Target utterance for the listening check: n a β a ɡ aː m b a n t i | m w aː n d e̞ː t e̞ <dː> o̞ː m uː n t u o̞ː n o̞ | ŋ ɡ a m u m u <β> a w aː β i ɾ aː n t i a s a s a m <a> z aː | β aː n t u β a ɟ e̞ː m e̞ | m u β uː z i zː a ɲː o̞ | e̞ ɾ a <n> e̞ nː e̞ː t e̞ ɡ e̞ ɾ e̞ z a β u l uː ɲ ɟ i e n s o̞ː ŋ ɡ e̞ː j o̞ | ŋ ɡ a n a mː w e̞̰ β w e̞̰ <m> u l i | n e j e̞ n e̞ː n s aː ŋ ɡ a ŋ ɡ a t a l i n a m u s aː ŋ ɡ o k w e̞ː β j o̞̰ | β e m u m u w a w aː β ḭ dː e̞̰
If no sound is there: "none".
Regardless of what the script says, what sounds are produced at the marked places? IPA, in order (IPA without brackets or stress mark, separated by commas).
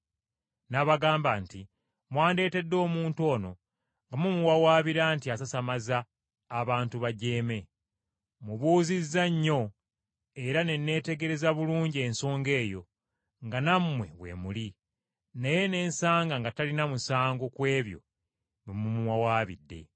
dː, w, a, n, m